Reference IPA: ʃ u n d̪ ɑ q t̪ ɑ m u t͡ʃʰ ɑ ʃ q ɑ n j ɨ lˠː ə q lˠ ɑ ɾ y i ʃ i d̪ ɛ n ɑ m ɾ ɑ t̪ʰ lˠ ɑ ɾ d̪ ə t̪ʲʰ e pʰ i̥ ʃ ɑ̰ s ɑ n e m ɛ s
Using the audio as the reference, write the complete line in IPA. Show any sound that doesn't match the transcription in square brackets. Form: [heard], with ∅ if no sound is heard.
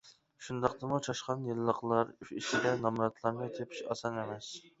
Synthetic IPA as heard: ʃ u n d̪ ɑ q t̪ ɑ m u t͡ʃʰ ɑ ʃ q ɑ n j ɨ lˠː ə q lˠ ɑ ɾ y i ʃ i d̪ ɛ n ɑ m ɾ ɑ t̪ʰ lˠ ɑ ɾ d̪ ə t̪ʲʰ e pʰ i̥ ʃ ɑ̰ s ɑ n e m ɛ s